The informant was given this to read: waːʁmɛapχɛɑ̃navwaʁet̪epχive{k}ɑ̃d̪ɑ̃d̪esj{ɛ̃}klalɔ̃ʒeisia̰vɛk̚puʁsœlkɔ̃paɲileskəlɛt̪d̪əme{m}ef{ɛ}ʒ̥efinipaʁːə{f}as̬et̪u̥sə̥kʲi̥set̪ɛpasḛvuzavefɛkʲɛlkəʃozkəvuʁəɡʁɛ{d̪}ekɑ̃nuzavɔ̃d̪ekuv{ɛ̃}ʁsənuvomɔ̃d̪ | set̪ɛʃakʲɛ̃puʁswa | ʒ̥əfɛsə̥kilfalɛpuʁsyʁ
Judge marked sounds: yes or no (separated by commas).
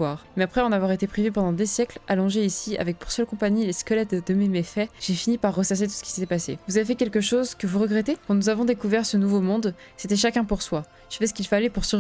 no, no, yes, yes, no, no, no